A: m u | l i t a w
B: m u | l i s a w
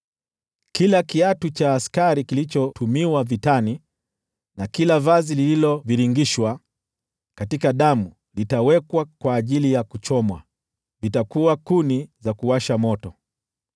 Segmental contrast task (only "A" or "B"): A